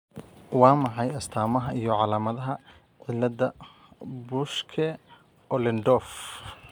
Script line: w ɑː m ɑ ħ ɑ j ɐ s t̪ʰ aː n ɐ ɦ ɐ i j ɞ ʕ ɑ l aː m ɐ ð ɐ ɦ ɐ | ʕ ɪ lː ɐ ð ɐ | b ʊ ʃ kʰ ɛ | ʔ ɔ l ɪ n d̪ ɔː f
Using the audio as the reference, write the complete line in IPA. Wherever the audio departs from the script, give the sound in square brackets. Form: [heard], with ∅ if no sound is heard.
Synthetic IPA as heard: w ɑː m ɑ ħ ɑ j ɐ s t̪ʰ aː [m] ɐ ɦ ɐ i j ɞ ʕ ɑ l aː m ɐ ð ɐ ɦ ɐ | ʕ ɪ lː ɐ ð ɐ | b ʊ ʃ kʰ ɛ | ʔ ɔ l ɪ n d̪ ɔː f